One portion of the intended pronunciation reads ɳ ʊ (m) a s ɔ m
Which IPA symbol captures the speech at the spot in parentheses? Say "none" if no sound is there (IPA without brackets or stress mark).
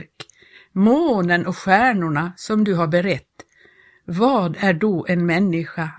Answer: ɳ